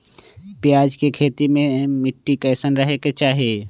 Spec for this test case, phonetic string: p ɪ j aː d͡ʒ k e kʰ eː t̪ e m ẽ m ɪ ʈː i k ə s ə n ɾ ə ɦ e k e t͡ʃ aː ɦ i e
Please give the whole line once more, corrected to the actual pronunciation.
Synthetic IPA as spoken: p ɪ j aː d͡ʒ k e kʰ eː t̪ i m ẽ m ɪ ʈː i k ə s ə n ɾ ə ɦ e k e t͡ʃ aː ɦ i e